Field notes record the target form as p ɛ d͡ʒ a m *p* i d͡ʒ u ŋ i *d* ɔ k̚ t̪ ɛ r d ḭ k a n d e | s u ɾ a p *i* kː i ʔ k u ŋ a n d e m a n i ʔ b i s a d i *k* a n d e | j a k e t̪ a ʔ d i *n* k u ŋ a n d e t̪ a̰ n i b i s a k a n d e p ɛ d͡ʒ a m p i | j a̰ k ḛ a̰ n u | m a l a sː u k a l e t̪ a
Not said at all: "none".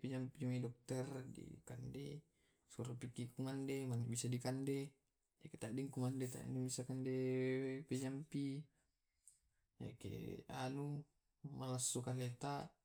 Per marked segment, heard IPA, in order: p, d, i, k, ŋ

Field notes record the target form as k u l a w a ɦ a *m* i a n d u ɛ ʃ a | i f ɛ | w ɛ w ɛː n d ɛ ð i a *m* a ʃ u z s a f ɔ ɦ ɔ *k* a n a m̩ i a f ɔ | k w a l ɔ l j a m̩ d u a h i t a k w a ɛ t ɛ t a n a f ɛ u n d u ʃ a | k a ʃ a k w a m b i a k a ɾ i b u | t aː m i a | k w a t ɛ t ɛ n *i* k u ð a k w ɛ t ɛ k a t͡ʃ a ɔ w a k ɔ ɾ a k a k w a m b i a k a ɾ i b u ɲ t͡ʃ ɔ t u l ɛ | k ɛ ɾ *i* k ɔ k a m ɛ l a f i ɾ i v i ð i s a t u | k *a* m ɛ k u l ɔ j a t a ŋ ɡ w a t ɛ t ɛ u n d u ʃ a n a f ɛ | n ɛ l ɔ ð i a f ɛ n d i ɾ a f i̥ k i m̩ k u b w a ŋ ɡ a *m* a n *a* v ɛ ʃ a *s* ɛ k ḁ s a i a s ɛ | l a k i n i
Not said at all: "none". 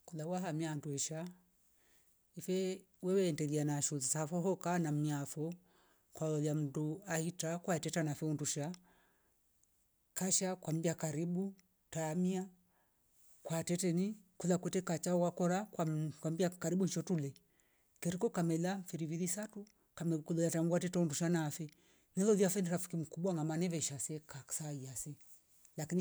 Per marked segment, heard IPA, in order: m, n, k, i, i, a, m, ɛ, s

